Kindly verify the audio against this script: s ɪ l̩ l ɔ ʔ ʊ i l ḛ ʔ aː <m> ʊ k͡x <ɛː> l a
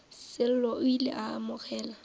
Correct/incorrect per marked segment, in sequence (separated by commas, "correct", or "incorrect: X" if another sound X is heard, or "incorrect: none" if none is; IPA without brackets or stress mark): correct, correct